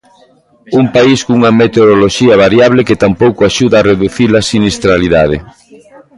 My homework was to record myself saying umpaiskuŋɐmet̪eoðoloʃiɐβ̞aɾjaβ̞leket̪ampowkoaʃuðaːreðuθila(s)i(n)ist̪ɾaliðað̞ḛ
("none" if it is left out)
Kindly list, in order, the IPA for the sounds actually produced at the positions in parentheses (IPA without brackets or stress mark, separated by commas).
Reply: s, n